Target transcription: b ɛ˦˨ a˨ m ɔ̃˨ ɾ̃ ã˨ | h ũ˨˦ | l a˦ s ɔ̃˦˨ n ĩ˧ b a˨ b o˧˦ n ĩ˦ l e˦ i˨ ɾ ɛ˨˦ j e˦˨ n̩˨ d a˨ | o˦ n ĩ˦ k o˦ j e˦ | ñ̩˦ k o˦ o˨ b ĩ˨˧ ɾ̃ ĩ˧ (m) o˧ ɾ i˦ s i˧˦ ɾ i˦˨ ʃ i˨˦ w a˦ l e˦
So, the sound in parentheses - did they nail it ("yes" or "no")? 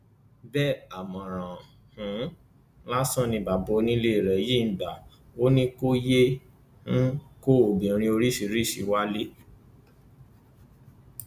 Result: no